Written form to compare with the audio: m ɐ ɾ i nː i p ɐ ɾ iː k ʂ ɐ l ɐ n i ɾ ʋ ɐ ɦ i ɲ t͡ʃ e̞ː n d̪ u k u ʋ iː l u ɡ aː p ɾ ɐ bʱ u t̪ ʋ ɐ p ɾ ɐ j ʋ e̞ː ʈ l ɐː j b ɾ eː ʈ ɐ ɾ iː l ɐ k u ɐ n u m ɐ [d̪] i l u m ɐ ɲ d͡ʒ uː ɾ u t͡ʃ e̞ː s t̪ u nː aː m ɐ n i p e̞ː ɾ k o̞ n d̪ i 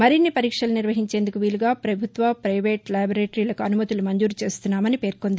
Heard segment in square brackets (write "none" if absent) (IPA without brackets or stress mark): t̪